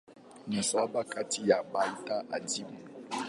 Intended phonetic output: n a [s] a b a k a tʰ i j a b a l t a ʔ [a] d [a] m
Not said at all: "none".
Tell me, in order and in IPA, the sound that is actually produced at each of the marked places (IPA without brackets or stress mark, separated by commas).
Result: s, a, i